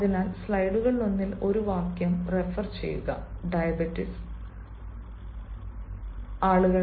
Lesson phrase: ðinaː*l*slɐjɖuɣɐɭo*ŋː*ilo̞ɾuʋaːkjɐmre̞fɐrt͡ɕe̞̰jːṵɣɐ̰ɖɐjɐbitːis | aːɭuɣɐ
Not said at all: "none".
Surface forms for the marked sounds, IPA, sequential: l, nː

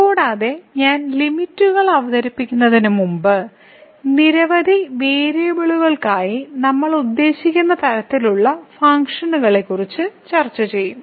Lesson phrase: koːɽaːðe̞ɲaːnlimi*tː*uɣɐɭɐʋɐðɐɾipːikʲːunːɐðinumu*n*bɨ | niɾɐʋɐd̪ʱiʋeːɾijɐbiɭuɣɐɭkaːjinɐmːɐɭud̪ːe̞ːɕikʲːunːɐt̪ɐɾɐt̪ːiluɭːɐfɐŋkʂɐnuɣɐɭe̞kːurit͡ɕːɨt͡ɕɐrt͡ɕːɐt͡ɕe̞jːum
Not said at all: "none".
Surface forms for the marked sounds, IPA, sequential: tː, m

